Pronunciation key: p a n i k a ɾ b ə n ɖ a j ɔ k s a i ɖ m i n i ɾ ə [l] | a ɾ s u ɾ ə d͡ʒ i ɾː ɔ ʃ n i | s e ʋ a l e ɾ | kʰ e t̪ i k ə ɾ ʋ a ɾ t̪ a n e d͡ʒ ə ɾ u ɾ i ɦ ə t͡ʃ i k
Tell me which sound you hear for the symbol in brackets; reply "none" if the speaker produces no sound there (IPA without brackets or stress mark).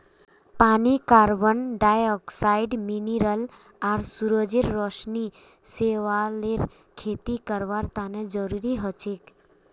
l